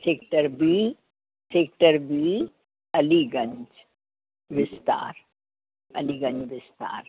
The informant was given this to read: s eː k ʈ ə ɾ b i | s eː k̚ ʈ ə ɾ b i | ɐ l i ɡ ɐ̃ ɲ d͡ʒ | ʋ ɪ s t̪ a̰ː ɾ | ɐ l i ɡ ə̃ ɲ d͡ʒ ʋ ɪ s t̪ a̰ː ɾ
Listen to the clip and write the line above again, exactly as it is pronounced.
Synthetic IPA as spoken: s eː k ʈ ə ɾ b i | s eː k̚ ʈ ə ɾ b i | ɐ l i ɡ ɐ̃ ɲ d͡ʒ | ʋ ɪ s t̪ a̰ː ɾ | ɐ l i ɡ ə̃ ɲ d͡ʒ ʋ ɪ s t̪ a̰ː ɾ